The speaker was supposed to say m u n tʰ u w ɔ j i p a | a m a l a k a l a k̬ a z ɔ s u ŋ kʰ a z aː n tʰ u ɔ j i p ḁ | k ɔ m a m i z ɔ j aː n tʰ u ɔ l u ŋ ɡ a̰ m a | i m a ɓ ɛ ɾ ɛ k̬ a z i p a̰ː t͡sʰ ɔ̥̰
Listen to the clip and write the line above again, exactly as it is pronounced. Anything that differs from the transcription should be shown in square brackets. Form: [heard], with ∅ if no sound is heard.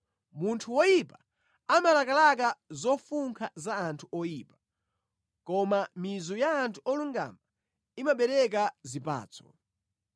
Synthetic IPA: m u n tʰ u w ɔ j i p a | a m a l a k a l a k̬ a z ɔ [f] u ŋ kʰ a z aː n tʰ u ɔ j i p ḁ | k ɔ m a m i z ɔ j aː n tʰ u ɔ l u ŋ ɡ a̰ m a | i m a ɓ ɛ ɾ ɛ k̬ a z i p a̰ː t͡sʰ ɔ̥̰